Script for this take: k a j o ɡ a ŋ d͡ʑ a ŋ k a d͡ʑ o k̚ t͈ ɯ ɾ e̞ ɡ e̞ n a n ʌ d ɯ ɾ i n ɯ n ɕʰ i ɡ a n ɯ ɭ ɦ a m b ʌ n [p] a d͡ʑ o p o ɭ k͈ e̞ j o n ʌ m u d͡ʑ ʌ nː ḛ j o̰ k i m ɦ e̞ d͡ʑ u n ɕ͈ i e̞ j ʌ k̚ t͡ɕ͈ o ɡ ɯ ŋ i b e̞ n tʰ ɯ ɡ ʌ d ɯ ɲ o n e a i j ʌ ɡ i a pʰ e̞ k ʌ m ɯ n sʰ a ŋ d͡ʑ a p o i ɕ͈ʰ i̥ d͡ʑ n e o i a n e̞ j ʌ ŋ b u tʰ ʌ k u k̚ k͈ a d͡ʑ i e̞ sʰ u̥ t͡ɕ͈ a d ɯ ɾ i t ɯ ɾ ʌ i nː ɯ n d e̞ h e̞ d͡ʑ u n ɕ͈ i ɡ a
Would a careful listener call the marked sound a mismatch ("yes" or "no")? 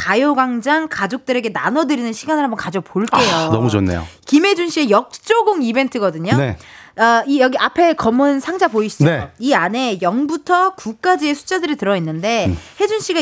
yes